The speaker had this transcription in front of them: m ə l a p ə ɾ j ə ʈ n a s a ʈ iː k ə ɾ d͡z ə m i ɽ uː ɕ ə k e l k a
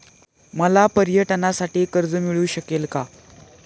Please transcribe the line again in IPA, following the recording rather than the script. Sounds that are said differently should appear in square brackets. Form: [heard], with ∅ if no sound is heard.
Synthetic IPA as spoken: m ə l a p ə ɾ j ə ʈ n a s a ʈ iː k ə ɾ d͡z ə m i [ɭ] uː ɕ ə k e l k a